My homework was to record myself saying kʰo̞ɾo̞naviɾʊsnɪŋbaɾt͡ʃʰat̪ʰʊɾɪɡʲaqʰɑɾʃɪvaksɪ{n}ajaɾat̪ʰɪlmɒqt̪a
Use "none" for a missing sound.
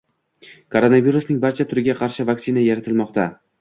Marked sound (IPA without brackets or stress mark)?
n